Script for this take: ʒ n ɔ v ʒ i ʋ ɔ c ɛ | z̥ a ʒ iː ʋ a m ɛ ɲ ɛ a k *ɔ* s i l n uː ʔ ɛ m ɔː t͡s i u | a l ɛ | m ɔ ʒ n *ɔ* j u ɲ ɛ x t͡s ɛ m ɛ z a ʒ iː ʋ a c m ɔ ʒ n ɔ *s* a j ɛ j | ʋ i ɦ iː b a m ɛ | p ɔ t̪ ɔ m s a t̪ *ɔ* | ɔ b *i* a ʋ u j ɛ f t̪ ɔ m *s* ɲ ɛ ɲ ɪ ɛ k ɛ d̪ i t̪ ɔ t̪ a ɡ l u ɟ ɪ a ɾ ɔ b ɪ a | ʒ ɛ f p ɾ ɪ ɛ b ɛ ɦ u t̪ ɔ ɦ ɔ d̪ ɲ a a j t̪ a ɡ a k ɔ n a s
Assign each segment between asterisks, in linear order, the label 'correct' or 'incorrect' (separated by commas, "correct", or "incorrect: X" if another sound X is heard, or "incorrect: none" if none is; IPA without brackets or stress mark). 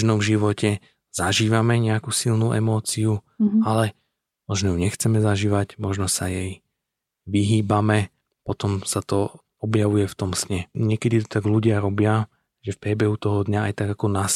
incorrect: u, correct, correct, correct, incorrect: j, correct